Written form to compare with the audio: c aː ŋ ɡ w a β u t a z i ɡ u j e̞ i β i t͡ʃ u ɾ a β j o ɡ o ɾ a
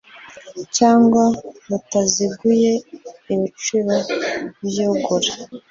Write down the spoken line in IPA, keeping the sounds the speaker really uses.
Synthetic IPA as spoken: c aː ŋ ɡ w a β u t a z i ɡ u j e̞ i β i t͡ʃ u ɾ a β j o ɡ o ɾ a